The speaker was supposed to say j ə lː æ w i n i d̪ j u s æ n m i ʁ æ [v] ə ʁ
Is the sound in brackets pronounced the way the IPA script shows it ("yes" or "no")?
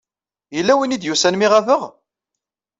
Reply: yes